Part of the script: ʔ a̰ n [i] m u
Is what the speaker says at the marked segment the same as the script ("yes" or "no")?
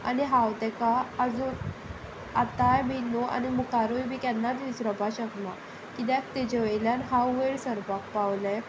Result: yes